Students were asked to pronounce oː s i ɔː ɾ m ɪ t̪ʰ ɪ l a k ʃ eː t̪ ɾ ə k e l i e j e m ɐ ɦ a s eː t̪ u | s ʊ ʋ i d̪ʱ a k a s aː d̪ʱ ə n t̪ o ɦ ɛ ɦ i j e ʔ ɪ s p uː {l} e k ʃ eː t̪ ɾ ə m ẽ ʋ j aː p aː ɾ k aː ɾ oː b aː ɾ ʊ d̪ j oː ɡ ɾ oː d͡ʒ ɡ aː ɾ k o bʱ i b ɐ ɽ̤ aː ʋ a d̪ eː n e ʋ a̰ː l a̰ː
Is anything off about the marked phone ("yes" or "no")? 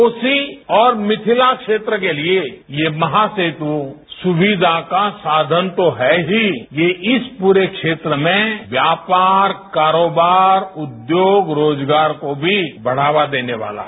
yes